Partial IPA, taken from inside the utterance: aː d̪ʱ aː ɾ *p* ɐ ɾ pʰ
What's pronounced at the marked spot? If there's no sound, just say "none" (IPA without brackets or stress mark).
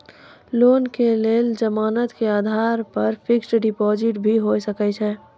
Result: p